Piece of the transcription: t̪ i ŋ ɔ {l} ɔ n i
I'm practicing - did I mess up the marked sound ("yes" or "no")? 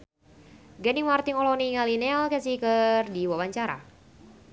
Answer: no